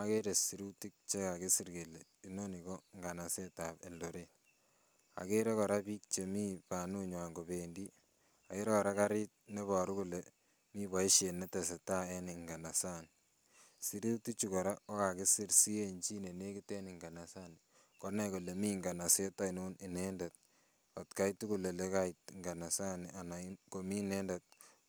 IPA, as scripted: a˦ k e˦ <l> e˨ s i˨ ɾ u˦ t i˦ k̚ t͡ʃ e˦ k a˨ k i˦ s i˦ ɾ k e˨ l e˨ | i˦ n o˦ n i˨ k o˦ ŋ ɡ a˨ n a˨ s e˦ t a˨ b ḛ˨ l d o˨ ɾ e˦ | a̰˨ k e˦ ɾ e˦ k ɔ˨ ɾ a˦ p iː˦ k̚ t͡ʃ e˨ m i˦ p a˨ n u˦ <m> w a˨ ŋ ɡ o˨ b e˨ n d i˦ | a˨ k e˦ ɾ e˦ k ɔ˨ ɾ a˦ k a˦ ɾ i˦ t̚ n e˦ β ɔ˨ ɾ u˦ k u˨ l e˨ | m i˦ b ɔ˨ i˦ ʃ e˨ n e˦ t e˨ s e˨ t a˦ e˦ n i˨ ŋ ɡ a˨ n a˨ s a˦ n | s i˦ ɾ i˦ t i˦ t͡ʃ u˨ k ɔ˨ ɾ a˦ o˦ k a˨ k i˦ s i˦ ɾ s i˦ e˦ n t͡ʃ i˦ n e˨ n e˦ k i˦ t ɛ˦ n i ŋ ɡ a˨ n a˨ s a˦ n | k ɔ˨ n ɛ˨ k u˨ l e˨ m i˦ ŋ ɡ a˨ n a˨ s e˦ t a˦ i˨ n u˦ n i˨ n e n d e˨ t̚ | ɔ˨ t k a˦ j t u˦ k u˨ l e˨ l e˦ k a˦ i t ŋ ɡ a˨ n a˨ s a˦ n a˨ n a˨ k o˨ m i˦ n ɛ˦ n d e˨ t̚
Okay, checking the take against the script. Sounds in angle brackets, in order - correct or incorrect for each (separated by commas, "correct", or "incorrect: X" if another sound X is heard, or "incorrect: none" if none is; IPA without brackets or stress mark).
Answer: incorrect: ɾ, incorrect: ɲ